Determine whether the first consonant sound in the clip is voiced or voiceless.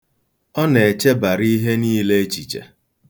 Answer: voiced